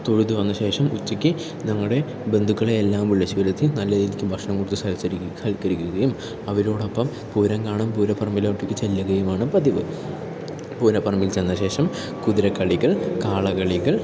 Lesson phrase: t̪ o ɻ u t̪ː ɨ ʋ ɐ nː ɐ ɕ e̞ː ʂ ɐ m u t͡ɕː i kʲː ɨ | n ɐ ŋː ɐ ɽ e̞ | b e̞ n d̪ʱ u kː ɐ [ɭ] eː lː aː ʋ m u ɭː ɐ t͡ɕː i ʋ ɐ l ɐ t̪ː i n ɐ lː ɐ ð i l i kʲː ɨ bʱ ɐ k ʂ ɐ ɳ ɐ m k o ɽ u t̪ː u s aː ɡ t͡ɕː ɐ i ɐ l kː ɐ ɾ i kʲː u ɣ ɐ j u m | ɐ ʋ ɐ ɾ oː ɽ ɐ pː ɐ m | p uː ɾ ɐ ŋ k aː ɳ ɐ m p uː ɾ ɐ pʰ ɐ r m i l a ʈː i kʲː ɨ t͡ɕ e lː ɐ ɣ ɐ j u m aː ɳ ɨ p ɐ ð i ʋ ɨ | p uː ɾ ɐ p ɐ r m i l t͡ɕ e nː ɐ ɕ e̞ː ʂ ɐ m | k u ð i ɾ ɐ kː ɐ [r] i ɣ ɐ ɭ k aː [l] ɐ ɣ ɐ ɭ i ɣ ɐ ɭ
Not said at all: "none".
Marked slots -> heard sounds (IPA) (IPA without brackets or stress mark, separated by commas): ɭ, ɭ, ɭ